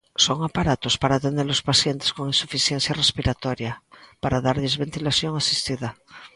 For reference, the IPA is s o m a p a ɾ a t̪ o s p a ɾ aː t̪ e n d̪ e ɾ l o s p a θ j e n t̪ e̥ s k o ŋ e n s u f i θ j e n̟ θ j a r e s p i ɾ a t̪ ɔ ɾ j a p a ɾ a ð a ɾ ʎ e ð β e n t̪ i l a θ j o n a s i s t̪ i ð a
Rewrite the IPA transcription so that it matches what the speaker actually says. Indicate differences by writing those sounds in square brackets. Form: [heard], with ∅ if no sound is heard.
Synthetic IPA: s o [ŋ] a p a ɾ a t̪ o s p a ɾ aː t̪ e n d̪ e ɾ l o s p a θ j e n t̪ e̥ s k o ŋ [i] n s u f i θ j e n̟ θ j a r e s p i ɾ a t̪ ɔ ɾ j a p a ɾ a ð a ɾ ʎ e [z] β e n t̪ i l a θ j o [ŋ] a s i s t̪ i ð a